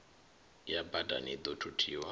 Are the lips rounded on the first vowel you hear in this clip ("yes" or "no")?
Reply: no